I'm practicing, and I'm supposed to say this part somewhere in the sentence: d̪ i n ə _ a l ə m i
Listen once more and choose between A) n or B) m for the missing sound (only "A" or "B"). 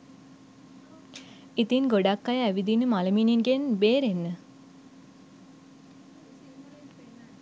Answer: B